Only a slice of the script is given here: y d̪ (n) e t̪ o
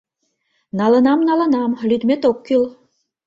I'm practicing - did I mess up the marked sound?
yes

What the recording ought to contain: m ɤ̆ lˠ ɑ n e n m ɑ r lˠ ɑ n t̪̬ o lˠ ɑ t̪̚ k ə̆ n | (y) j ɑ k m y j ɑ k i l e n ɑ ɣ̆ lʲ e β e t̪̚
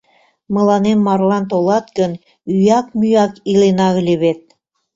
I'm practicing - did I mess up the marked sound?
no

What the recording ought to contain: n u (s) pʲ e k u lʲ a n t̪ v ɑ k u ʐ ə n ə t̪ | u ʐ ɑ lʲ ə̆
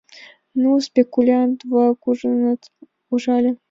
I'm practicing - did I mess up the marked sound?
no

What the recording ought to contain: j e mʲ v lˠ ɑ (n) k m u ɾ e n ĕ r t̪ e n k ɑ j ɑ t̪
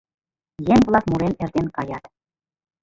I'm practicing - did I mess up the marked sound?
yes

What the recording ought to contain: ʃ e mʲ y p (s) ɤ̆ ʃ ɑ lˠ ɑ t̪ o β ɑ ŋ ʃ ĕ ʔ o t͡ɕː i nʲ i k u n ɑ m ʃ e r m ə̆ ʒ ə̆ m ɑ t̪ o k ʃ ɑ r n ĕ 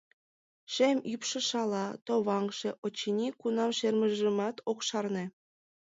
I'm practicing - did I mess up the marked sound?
yes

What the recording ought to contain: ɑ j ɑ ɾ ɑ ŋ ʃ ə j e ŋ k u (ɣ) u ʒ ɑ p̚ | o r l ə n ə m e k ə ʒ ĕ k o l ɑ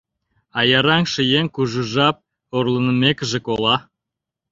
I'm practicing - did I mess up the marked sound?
yes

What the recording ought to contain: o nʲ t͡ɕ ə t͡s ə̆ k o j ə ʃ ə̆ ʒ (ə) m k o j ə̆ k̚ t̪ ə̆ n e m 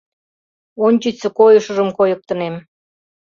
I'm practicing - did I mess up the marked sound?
no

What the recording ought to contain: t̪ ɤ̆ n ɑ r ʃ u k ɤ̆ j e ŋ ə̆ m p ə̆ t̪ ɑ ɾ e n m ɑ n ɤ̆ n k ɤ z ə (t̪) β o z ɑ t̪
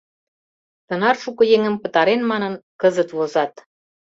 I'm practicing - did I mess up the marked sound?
no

